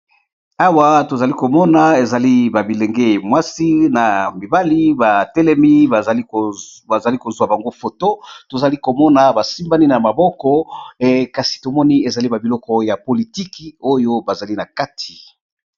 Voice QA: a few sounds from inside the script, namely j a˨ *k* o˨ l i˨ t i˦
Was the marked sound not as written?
yes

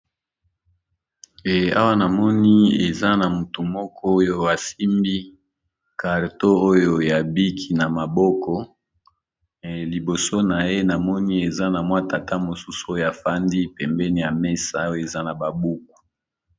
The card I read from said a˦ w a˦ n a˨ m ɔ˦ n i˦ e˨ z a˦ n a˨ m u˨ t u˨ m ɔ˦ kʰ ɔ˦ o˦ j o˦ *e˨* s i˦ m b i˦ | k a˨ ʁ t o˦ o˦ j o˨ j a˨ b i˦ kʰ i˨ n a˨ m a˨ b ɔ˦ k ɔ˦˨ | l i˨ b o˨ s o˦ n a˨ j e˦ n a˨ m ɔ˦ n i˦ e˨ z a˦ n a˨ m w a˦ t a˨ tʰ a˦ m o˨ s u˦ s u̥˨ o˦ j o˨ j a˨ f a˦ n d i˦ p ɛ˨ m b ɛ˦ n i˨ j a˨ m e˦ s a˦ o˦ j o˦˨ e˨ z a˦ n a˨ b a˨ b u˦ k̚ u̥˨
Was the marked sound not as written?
yes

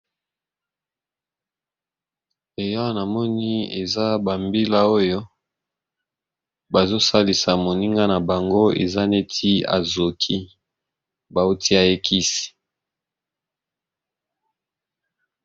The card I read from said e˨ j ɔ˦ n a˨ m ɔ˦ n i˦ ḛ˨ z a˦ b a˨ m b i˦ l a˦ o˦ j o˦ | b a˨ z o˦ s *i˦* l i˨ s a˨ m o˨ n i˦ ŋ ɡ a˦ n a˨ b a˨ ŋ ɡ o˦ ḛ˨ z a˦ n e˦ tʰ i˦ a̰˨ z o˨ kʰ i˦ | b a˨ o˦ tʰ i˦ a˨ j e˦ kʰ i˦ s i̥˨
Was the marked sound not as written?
yes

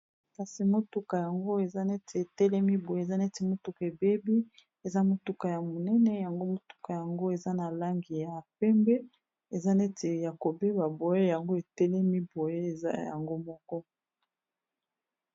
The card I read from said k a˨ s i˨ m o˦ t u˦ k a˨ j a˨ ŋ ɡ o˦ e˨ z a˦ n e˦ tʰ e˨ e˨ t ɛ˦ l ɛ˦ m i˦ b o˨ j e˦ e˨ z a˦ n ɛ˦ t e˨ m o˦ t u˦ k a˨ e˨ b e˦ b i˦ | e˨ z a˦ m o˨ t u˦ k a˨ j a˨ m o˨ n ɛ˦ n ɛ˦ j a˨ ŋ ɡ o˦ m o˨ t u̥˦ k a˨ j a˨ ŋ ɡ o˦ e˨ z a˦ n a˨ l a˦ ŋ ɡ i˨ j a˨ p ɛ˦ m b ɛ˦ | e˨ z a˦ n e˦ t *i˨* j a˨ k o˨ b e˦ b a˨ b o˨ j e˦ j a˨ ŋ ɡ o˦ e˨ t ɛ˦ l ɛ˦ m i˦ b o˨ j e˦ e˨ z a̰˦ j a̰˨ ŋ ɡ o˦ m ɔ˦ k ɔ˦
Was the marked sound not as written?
yes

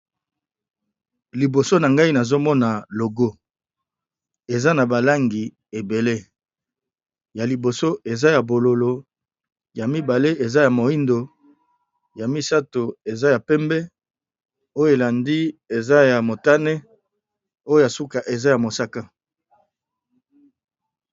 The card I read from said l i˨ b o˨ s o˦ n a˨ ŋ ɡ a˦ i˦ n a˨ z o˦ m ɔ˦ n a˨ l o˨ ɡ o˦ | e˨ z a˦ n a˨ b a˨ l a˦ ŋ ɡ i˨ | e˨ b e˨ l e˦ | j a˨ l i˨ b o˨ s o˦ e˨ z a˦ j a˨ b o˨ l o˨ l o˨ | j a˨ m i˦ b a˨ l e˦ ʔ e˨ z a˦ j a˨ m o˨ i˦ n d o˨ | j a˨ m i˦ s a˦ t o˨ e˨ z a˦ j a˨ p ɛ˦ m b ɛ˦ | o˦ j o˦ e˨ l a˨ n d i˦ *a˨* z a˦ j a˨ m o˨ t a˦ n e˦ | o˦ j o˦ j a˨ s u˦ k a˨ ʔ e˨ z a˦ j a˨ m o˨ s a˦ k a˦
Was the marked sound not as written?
yes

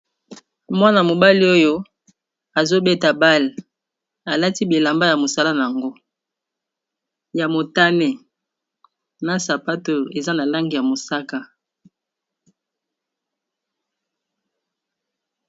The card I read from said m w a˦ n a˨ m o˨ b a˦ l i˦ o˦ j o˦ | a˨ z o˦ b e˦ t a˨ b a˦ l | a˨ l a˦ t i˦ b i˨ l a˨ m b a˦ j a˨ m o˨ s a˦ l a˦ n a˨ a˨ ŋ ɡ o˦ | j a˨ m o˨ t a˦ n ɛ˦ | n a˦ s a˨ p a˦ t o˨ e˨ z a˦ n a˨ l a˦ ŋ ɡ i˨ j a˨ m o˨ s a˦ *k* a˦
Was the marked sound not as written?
no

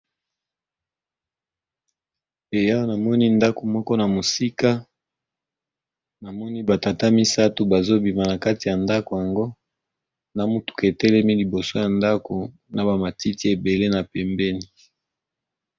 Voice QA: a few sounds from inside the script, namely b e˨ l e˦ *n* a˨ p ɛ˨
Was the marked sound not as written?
no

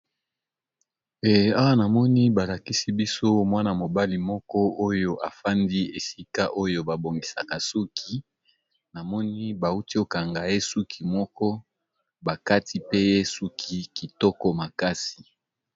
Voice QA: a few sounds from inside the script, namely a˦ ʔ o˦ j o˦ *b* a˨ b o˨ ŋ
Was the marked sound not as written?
no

